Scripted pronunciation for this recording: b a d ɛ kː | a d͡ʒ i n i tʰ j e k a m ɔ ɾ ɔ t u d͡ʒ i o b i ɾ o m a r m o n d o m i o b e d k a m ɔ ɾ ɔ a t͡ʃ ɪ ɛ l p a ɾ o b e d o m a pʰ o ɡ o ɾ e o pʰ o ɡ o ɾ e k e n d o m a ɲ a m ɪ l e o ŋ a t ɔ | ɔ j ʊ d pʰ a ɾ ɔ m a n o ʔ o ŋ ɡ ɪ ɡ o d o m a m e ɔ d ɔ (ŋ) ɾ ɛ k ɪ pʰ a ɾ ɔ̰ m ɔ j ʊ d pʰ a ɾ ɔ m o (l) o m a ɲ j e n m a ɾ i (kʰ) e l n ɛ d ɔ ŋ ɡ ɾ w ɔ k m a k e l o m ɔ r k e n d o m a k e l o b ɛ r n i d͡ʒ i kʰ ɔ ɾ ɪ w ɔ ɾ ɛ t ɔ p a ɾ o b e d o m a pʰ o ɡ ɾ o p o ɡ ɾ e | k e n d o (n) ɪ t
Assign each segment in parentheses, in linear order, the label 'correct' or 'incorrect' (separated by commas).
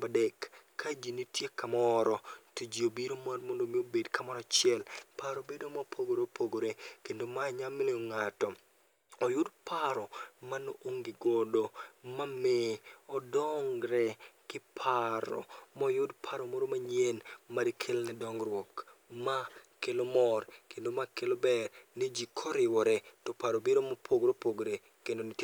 correct, incorrect, correct, correct